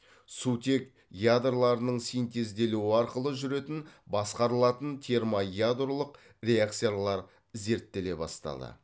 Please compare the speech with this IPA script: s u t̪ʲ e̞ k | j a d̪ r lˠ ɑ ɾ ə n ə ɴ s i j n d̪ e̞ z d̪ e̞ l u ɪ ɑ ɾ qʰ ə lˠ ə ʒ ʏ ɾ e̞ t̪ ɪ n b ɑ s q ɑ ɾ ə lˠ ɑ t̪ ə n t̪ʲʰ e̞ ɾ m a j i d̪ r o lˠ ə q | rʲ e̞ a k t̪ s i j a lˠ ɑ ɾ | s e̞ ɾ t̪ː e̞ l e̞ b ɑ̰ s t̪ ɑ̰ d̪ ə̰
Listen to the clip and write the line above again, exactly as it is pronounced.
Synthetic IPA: s u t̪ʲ e̞ k | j a d̪ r lˠ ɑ ɾ ə n ə ɴ s i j n t̪ e̞ z d̪ e̞ l u ɪ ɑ ɾ q ə lˠ ə ʒ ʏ ɾ e̞ t̪ ɪ n b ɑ s q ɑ ɾ ə lˠ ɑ t̪ ə n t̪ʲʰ e̞ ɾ m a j a d̪ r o lˠ ə q | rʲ e̞ a k t̪ s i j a lˠ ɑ ɾ | z e̞ ɾ t̪ː e̞ l e̞ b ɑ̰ s t̪ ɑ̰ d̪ ə̰